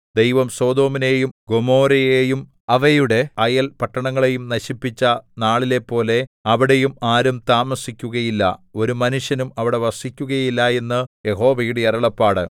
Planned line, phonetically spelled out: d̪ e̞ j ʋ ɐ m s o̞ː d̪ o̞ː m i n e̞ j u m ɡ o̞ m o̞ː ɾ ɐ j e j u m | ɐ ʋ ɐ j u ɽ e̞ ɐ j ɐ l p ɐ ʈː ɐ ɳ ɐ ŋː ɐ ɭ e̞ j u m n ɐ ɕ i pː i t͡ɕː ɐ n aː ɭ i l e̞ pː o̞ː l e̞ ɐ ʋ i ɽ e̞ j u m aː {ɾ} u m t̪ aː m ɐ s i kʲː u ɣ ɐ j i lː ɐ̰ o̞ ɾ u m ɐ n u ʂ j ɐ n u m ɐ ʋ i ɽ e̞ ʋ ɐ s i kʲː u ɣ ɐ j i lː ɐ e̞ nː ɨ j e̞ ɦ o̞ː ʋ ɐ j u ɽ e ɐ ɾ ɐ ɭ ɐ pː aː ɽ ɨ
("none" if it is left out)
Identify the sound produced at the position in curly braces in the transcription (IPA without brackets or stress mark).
ɾ